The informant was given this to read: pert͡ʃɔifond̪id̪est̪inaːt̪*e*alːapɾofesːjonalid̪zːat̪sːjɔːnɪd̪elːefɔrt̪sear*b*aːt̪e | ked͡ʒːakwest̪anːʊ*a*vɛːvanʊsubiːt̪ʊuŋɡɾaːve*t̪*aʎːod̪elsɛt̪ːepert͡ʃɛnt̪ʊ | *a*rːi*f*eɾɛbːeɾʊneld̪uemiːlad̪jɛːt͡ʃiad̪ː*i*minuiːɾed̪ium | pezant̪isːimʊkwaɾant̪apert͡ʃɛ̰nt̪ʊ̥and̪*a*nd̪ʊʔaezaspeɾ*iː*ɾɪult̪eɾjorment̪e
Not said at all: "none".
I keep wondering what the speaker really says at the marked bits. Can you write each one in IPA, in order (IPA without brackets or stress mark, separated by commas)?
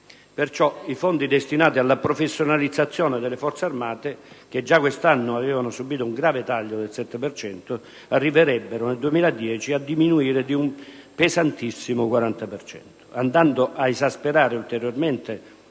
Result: i, m, a, t̪, a, v, i, a, aː